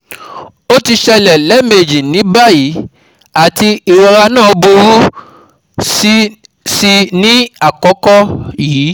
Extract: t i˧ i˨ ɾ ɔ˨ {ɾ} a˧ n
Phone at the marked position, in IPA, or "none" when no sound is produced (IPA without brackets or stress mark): ɾ